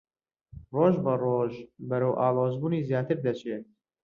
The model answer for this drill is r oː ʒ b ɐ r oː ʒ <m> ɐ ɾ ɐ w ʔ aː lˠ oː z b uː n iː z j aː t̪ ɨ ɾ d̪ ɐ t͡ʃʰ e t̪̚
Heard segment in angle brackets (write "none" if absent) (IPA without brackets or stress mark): b